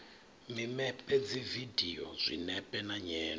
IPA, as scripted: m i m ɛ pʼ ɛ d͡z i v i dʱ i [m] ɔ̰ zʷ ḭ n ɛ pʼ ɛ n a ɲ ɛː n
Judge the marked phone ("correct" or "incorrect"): incorrect